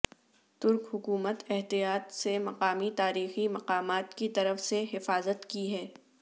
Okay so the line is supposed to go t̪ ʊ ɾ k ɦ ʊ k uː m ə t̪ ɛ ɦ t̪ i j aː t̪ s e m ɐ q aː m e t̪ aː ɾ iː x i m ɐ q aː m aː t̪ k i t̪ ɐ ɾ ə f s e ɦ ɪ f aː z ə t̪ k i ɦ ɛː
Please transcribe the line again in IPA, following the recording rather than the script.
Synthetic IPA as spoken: t̪ ʊ ɾ k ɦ ʊ k uː m ə t̪ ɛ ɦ t̪ i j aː t̪ s e m ɐ q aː m i t̪ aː ɾ iː x i m ɐ q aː m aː t̪ k i t̪ ɐ ɾ ə f s e ɦ ɪ f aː z ə t̪ k i ɦ ɛː